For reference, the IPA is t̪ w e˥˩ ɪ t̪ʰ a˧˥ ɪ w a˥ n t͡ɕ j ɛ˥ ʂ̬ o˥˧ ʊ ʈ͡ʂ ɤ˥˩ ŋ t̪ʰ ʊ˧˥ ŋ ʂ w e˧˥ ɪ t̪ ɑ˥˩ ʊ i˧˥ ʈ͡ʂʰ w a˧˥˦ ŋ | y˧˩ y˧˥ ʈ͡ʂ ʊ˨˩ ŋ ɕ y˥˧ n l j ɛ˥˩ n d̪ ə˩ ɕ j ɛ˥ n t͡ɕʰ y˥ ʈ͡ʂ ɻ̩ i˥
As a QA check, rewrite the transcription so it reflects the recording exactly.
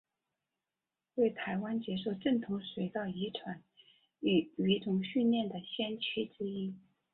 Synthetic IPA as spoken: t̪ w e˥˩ ɪ t̪ʰ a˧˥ ɪ w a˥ n t͡ɕ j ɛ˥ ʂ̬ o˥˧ ʊ ʈ͡ʂ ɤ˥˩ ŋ t̪ʰ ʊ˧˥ ŋ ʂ w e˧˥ ɪ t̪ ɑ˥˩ ʊ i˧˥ ʈ͡ʂʰ w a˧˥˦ n | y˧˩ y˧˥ ʈ͡ʂ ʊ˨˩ ŋ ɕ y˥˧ n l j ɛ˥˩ n d̪ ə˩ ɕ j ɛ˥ n t͡ɕʰ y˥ ʈ͡ʂ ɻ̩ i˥